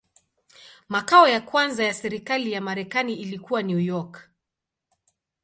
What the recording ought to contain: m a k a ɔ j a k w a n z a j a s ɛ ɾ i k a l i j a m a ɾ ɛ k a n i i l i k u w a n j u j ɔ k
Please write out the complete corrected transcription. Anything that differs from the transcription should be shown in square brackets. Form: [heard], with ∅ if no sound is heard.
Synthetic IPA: m a k a ɔ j a k w a n z a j a s ɛ ɾ i k a l i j a m a ɾ ɛ k a n i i l i k u w a n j u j ɔ k